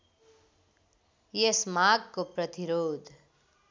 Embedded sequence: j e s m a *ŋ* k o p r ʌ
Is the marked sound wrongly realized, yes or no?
yes